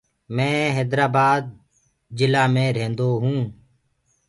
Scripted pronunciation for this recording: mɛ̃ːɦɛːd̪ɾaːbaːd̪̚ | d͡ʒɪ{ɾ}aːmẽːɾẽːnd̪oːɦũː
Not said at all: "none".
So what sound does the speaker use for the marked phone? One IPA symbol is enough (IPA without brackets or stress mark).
l